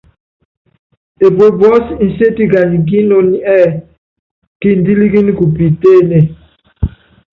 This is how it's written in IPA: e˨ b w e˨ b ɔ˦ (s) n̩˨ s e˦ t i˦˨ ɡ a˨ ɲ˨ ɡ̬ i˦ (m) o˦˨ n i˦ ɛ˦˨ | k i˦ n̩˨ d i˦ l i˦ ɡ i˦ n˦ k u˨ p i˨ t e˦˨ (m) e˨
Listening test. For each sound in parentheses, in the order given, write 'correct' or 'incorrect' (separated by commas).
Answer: correct, incorrect, incorrect